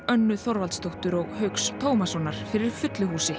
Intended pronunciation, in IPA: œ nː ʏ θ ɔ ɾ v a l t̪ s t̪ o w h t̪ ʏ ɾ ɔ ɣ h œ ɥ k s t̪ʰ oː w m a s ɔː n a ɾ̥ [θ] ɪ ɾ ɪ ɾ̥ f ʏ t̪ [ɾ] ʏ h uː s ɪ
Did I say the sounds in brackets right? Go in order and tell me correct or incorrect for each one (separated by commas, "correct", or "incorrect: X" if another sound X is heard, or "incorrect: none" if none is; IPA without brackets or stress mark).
incorrect: f, incorrect: l